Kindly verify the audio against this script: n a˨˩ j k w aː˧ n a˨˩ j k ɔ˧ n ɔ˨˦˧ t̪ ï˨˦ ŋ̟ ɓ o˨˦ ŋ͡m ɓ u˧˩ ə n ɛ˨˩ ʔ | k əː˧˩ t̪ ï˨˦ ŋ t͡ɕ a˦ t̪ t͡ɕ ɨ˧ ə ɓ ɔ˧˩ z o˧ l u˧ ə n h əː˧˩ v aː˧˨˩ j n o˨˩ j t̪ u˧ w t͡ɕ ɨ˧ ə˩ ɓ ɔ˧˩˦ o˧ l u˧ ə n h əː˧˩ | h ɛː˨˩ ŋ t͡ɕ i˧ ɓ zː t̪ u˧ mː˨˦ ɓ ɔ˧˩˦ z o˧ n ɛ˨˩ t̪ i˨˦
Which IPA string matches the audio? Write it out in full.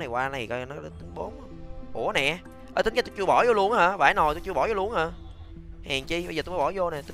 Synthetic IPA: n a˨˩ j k w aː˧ n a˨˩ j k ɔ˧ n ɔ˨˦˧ t̪ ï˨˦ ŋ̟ ɓ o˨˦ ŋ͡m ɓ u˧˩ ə n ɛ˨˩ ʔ | ʔ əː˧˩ t̪ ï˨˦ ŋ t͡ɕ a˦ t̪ t͡ɕ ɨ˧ ə ɓ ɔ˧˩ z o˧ l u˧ ə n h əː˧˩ v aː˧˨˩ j n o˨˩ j t̪ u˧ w t͡ɕ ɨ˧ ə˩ ɓ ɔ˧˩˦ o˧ l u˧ ə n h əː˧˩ | h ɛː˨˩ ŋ t͡ɕ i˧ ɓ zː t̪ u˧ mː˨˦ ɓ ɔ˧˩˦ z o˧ n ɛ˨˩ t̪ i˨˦